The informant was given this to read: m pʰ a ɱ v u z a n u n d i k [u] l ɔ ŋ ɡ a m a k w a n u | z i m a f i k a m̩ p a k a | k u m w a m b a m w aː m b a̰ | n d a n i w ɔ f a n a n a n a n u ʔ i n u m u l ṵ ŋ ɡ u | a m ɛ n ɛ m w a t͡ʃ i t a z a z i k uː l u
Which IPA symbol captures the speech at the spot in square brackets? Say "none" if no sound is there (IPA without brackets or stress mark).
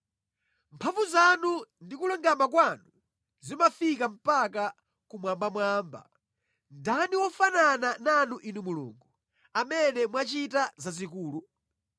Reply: u